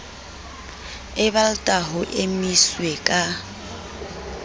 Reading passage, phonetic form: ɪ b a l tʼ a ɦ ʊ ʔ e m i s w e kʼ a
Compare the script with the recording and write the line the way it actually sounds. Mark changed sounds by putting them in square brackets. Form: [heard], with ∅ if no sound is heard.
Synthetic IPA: ɪ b a l tʼ a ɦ ʊ ʔ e m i s w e kʼ a